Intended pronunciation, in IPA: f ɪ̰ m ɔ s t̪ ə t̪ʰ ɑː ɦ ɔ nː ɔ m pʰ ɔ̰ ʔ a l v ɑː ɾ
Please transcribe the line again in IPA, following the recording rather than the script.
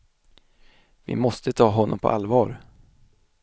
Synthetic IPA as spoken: v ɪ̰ m ɔ s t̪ ə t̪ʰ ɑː ɦ ɔ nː ɔ m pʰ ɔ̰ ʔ a l v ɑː ɾ